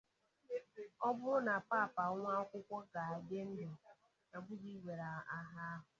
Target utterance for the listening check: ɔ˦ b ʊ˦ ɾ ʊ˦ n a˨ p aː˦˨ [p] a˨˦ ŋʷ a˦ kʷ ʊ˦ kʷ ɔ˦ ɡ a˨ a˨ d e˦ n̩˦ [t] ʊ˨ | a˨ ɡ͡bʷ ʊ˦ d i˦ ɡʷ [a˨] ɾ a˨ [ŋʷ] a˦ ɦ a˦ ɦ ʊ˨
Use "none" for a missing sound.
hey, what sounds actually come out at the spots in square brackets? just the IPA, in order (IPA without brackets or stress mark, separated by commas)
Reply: p, d, e˨, none